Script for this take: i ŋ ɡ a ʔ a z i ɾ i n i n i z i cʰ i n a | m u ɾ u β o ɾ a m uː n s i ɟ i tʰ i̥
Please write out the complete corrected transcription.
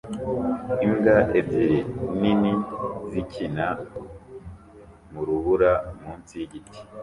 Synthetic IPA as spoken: i ŋ ɡ a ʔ e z i ɾ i n i n i z i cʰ i n a | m u ɾ u β u ɾ a m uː n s i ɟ i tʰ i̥